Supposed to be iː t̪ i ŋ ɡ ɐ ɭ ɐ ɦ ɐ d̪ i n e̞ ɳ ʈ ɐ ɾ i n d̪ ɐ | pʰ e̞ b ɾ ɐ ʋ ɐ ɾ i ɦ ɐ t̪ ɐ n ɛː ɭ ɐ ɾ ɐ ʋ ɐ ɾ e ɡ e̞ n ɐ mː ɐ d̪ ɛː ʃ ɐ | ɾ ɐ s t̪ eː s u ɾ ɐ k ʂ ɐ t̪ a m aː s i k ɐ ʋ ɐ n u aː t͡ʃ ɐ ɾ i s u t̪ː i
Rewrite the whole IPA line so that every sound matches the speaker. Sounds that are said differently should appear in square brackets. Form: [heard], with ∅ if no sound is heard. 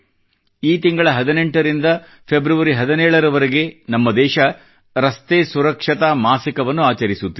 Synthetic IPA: iː t̪ i ŋ ɡ ɐ ɭ ɐ ɦ ɐ d̪ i n e̞ ɳ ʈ ɐ ɾ i n d̪ ɐ | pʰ e̞ b ɾ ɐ ʋ ɐ ɾ i ɦ ɐ [d̪] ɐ n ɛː ɭ ɐ ɾ ɐ ʋ ɐ ɾ e ɡ e̞ n ɐ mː ɐ d̪ ɛː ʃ ɐ | ɾ ɐ s t̪ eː s u ɾ ɐ k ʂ ɐ t̪ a m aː s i k ɐ ʋ ɐ [nː] u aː t͡ʃ ɐ ɾ i s u t̪ː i

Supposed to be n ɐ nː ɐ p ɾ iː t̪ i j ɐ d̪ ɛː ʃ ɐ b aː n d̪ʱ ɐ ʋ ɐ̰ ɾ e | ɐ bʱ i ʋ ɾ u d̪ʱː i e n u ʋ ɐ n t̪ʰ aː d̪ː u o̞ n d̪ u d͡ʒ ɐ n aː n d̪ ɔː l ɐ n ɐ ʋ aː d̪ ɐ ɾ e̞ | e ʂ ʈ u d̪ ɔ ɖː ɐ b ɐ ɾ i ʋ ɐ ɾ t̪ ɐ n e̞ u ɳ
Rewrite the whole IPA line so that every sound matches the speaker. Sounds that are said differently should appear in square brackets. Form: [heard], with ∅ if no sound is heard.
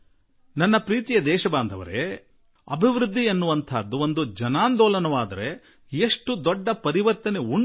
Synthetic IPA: n ɐ nː ɐ p ɾ iː t̪ i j ɐ d̪ ɛː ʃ ɐ b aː n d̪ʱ ɐ ʋ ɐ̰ ɾ e | ɐ bʱ i ʋ ɾ u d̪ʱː i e [nː] u ʋ ɐ n t̪ʰ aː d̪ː u o̞ n d̪ u d͡ʒ ɐ n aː n d̪ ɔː l ɐ n ɐ ʋ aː d̪ ɐ ɾ e̞ | e ʂ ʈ u d̪ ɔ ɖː ɐ [p] ɐ ɾ i ʋ ɐ ɾ t̪ ɐ n e̞ u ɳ

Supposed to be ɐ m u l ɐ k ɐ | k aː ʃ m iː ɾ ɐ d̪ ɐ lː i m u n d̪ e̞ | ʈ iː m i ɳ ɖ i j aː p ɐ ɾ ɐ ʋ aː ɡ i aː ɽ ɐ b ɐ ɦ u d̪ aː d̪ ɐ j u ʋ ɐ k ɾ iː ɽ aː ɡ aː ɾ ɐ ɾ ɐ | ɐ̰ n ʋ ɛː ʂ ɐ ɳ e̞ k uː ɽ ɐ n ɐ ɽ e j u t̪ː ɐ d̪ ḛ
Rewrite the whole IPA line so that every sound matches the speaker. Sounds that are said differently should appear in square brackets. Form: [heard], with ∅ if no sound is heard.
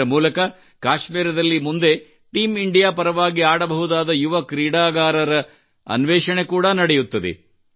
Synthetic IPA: ɐ m [uː] l ɐ k ɐ | k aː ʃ m iː ɾ ɐ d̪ ɐ lː i m u n d̪ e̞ | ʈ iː m i ɳ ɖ i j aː p ɐ ɾ ɐ ʋ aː ɡ i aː ɽ ɐ b ɐ ɦ u d̪ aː d̪ ɐ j u ʋ ɐ k ɾ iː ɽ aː ɡ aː ɾ ɐ ɾ ɐ | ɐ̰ n ʋ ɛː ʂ ɐ ɳ e̞ k uː ɽ ɐ n ɐ ɽ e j u t̪ː ɐ d̪ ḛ

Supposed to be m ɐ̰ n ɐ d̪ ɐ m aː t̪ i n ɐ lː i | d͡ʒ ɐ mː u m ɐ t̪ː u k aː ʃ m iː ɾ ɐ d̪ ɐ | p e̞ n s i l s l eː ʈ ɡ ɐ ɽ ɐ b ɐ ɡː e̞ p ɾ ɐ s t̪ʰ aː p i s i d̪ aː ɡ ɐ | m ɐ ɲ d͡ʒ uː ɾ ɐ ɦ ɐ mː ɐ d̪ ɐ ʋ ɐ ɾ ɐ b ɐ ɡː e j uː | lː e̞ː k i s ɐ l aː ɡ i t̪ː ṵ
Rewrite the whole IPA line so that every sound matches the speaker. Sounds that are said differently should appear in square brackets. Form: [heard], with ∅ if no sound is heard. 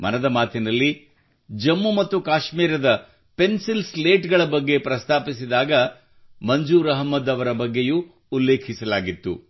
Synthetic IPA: m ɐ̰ n ɐ d̪ ɐ m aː t̪ i n ɐ lː i | d͡ʒ ɐ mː u m ɐ t̪ː u k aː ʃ m iː ɾ ɐ d̪ ɐ | p e̞ n s i l s l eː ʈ ɡ ɐ [ɭ] ɐ b ɐ ɡː e̞ p ɾ ɐ s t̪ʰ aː p i s i d̪ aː ɡ ɐ | m ɐ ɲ d͡ʒ uː ɾ ɐ ɦ ɐ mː ɐ d̪ ɐ ʋ ɐ ɾ ɐ b ɐ ɡː e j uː | lː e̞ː [kʰ] i s ɐ l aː ɡ i t̪ː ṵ

